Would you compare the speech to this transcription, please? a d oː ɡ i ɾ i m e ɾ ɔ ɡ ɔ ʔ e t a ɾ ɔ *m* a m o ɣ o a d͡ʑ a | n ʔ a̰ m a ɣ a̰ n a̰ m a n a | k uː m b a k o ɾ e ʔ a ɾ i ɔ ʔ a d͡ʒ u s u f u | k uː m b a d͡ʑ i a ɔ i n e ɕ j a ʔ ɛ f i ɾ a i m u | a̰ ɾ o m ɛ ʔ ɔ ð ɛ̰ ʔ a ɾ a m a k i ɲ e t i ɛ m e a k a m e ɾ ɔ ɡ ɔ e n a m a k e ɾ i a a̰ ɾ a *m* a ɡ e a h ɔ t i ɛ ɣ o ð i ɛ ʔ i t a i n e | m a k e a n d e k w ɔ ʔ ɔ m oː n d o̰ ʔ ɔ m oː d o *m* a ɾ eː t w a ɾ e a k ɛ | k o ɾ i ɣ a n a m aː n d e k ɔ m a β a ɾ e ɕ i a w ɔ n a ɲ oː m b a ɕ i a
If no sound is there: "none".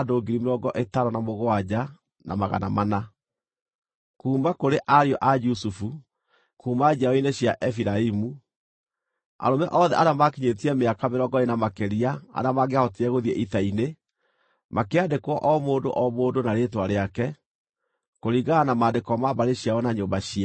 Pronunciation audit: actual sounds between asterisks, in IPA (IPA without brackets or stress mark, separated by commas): n, m, n